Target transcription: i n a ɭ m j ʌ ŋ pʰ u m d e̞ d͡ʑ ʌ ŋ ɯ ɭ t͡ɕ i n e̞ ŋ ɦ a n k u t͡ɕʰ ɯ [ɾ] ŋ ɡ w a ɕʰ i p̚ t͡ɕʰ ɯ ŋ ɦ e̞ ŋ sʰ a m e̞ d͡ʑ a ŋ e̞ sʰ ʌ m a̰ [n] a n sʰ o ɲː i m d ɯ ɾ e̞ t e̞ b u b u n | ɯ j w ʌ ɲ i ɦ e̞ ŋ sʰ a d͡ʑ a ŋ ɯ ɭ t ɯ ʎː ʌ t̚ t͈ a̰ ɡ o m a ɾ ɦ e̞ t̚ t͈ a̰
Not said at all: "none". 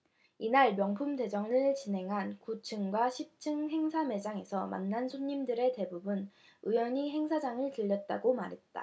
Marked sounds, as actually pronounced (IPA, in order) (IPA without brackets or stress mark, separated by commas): none, nː